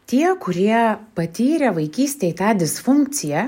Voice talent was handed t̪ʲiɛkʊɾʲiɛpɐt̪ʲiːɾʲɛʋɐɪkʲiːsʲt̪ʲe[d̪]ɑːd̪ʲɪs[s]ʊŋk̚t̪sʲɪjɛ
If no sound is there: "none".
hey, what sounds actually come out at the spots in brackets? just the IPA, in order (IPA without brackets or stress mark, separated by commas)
t̪, f